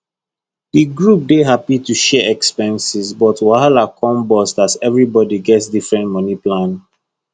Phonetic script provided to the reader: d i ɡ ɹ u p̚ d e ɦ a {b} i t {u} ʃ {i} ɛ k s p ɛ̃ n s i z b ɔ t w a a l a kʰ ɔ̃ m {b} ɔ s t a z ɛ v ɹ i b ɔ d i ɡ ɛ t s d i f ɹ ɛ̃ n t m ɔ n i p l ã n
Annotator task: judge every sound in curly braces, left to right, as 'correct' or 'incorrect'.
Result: incorrect, correct, incorrect, correct

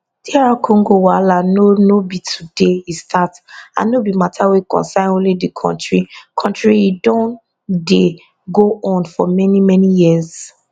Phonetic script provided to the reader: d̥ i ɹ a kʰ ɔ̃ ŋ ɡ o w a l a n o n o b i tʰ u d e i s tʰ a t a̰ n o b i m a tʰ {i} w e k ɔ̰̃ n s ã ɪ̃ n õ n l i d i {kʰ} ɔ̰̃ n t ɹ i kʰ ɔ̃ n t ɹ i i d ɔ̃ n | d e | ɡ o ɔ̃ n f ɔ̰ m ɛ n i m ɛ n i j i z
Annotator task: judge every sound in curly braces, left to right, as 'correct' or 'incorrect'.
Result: incorrect, correct

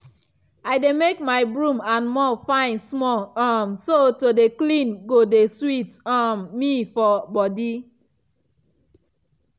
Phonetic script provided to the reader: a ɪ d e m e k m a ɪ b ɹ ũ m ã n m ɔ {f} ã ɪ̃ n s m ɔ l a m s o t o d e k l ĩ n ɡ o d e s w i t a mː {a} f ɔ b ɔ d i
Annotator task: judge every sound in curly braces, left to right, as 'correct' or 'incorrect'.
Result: correct, incorrect

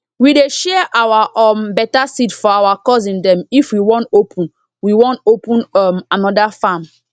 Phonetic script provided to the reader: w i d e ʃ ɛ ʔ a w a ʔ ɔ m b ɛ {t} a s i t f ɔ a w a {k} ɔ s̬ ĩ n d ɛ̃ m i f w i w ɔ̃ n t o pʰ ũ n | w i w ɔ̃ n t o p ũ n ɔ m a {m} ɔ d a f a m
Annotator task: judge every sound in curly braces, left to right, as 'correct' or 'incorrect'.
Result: correct, correct, incorrect

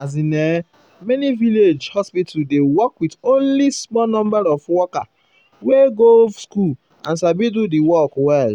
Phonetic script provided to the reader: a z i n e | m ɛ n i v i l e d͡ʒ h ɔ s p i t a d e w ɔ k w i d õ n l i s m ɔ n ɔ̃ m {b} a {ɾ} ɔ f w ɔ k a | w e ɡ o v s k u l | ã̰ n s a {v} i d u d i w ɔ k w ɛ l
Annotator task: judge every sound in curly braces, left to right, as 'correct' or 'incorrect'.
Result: correct, correct, incorrect

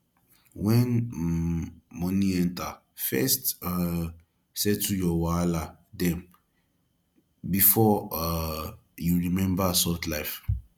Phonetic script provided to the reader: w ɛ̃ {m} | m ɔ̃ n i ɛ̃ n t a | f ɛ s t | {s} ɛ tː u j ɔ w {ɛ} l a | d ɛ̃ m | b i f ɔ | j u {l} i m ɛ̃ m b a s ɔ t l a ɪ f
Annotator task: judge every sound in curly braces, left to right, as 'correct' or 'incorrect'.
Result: incorrect, correct, incorrect, incorrect

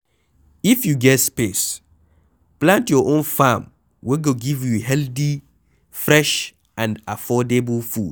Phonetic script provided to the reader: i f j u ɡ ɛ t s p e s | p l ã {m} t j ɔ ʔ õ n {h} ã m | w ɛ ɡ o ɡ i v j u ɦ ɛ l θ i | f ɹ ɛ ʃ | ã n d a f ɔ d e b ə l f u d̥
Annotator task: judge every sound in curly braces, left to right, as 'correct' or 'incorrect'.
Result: incorrect, incorrect

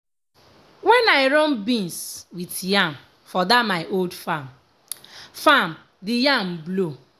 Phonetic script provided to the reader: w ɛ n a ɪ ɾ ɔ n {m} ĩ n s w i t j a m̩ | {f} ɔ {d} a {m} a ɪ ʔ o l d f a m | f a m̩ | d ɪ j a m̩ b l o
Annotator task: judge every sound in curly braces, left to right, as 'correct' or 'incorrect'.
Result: incorrect, correct, correct, correct

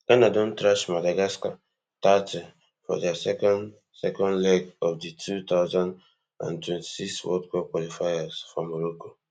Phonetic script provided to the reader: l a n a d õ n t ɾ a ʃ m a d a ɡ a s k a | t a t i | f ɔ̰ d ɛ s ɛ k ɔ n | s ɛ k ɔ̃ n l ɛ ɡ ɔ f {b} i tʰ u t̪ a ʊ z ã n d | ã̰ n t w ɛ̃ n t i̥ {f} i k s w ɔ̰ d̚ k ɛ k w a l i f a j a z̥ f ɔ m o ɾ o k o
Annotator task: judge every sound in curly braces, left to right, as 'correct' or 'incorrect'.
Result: incorrect, incorrect

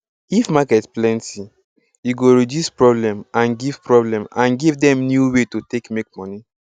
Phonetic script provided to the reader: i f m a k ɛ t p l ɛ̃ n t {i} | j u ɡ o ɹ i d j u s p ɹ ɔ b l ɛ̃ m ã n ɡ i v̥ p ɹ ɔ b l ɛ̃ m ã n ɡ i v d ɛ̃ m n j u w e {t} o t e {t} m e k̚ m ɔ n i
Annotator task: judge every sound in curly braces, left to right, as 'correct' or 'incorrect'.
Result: correct, correct, incorrect

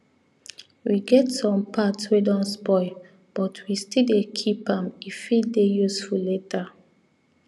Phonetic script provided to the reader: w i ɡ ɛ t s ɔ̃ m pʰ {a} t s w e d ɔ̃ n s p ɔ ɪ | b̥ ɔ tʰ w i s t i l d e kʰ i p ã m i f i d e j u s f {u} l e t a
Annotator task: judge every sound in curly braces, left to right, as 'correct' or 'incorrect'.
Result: correct, correct

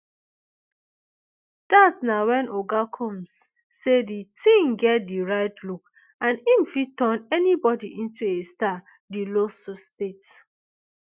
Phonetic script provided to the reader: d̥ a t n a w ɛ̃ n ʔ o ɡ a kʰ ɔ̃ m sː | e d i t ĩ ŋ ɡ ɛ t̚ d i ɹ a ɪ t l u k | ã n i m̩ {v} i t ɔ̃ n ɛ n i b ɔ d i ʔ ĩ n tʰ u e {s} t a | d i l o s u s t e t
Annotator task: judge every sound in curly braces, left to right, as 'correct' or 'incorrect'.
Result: incorrect, correct

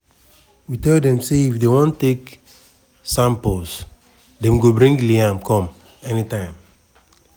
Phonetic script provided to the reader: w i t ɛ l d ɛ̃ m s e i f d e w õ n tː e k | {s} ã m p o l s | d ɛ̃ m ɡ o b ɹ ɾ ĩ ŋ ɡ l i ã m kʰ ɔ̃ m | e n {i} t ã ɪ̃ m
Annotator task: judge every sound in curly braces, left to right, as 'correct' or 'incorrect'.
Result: correct, correct

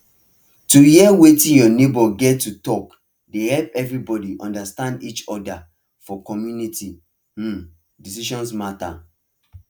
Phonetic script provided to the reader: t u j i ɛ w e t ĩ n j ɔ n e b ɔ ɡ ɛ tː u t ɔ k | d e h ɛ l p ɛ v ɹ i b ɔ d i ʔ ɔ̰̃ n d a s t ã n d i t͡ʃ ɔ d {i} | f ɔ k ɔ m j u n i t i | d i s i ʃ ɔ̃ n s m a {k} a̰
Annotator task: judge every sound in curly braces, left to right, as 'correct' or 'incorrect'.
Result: incorrect, incorrect

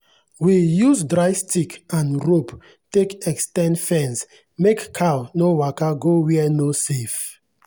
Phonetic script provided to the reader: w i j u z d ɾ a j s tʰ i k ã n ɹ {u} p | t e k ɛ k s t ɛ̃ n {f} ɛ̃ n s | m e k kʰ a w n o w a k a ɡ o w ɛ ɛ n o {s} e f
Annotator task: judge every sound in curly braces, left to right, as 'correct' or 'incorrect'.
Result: incorrect, correct, correct

